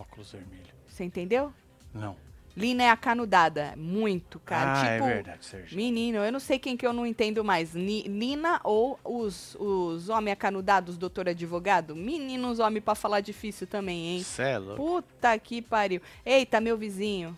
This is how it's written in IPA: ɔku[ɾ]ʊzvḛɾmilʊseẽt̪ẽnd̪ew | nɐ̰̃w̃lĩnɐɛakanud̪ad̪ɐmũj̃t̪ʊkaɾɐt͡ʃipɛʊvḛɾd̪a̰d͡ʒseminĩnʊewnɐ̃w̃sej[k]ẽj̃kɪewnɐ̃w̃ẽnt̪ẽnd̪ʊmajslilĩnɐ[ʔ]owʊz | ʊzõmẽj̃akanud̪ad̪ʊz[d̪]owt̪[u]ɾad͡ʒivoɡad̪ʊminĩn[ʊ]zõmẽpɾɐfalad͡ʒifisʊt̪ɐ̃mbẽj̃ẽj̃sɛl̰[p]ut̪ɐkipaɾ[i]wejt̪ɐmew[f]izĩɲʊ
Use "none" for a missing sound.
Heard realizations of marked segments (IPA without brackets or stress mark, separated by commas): l, k, ʔ, d̪, o, ʊ, p, i, v